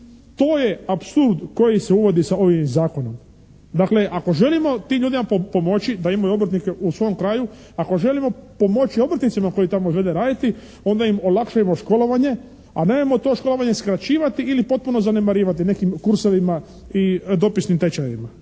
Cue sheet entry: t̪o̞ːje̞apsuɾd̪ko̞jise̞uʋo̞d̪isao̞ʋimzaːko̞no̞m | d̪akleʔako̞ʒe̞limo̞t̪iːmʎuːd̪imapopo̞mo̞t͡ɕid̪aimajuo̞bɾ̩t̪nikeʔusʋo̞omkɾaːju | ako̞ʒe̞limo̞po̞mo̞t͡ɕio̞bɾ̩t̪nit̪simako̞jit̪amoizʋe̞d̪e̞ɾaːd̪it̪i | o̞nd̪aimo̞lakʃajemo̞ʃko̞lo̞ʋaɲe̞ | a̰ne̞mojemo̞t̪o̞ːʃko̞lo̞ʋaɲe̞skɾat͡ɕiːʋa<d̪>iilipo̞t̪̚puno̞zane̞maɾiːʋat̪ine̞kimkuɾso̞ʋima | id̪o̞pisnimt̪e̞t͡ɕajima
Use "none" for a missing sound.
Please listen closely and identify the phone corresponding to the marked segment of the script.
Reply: t̪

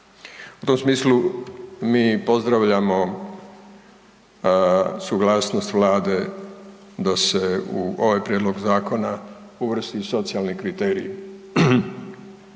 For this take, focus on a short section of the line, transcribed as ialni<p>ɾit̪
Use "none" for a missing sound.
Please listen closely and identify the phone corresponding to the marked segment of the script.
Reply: k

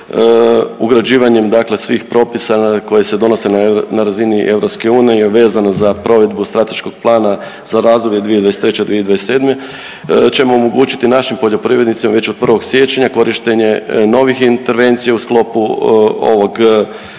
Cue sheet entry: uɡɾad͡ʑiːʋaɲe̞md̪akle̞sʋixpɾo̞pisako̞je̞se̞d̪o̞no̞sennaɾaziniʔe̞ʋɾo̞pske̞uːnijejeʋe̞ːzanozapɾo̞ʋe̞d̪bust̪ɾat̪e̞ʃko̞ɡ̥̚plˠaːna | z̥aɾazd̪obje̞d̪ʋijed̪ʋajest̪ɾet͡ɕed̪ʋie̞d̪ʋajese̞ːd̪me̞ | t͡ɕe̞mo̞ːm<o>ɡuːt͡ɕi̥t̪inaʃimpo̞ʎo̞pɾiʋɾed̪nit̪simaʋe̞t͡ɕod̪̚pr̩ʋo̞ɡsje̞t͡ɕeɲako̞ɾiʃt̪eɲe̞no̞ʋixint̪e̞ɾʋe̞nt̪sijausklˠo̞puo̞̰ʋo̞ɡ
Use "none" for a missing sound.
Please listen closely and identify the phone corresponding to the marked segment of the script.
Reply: o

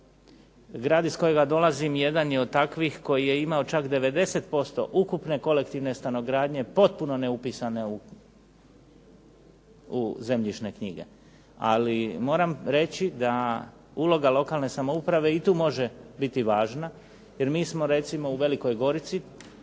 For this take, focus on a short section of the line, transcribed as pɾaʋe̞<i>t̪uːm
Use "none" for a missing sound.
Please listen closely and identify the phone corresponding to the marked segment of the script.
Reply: i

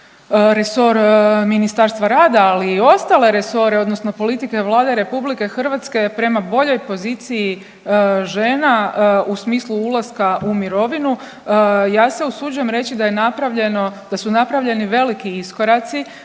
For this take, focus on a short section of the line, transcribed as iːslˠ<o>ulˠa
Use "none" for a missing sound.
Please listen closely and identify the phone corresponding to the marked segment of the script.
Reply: u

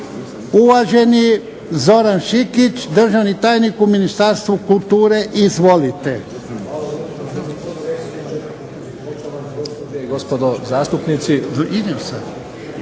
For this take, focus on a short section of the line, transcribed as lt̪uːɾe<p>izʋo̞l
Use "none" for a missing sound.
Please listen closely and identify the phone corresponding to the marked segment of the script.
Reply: ʔ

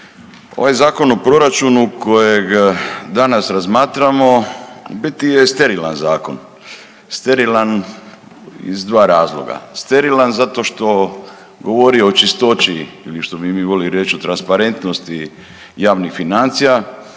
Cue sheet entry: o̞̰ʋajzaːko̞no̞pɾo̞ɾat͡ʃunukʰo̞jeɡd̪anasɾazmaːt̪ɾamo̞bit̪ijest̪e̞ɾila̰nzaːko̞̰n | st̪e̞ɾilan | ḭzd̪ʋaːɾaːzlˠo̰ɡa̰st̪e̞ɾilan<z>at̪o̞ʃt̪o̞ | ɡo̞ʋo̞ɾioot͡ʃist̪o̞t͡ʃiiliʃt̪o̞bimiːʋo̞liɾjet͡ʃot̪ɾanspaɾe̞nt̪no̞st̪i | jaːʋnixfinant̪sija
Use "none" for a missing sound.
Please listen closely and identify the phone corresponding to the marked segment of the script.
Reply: z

